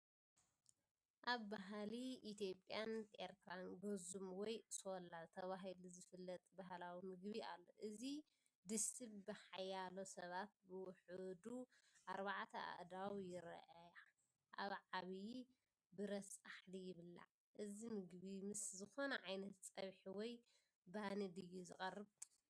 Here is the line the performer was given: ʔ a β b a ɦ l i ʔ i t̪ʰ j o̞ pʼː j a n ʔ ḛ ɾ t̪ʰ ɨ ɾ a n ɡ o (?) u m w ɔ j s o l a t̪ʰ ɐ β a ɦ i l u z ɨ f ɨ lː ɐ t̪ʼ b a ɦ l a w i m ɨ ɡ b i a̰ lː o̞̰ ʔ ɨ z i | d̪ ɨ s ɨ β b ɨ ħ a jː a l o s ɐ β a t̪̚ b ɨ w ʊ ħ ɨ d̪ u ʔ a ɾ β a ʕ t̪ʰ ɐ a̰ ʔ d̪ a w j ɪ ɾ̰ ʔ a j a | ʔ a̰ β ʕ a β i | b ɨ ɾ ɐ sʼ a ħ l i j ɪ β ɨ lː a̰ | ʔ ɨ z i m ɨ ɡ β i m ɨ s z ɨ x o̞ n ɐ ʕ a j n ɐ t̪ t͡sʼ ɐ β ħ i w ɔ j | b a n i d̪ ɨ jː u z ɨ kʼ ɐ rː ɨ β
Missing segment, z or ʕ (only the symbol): z